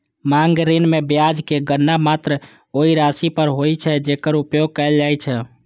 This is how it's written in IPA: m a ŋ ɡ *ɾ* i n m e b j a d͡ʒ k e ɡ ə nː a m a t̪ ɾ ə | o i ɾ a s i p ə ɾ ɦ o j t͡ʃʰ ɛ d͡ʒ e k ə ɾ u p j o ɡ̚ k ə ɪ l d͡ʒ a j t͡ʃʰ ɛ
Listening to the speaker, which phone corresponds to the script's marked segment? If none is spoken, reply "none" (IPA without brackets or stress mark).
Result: ɾ